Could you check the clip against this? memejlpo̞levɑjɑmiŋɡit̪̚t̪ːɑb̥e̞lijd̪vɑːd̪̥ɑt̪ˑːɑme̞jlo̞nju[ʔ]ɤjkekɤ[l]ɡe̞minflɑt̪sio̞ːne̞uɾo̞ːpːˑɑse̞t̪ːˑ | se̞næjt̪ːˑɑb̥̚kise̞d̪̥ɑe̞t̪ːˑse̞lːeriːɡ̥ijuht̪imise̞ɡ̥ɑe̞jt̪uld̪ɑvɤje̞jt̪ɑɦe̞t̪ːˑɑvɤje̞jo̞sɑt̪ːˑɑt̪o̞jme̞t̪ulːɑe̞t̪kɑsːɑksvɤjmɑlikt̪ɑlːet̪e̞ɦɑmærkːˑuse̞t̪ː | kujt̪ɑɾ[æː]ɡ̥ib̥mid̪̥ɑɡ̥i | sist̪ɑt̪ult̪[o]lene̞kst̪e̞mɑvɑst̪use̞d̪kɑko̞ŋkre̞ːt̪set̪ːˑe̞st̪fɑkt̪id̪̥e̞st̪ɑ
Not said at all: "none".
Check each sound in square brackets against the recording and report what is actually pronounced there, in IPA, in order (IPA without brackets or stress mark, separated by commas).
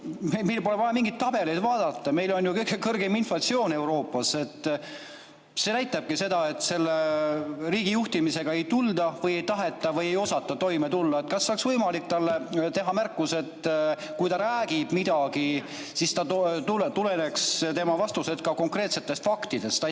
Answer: k, r, æː, u